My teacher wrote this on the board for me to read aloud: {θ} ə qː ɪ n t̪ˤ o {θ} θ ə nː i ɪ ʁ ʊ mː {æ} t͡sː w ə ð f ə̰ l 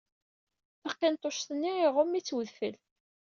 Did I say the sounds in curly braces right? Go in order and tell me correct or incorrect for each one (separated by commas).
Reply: correct, incorrect, incorrect